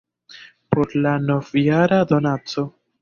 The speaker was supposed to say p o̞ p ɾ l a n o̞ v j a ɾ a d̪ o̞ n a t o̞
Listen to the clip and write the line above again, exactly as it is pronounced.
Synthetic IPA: p o̞ ɾ l a n o̞ v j a ɾ a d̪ o̞ n a t͡s o̞